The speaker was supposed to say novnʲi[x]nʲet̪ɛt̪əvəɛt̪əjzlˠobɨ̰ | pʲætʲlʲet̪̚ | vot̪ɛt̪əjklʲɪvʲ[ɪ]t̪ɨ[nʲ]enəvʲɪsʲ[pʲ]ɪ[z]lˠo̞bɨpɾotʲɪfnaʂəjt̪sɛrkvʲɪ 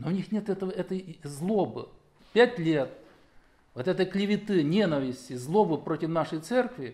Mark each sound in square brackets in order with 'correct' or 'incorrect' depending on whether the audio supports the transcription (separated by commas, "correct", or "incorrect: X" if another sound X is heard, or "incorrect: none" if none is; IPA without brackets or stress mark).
correct, correct, correct, incorrect: tʲ, correct